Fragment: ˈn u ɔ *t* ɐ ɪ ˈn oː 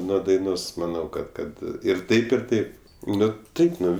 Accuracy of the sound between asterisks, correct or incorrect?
incorrect: d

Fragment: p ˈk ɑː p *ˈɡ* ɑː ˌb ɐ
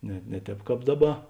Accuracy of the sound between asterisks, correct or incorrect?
incorrect: d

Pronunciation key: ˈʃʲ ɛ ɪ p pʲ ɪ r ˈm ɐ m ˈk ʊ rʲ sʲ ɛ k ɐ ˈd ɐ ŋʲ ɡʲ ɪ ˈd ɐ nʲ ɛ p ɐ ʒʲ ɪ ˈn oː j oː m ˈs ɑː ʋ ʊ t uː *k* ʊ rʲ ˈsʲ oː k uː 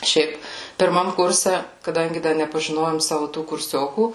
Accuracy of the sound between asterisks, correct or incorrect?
correct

